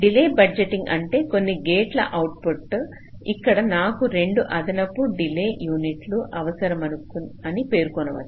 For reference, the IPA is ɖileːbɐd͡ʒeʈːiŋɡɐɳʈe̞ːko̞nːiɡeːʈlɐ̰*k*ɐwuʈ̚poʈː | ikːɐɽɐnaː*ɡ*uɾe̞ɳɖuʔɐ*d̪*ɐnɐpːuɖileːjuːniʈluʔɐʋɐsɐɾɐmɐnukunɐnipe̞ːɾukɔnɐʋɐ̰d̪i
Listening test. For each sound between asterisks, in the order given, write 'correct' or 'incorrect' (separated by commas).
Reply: incorrect, incorrect, correct